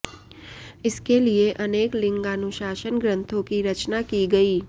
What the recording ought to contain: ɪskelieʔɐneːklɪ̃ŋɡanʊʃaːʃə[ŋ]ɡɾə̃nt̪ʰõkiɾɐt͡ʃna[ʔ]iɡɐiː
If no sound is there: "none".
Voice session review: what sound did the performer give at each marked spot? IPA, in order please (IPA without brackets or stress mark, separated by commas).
n, k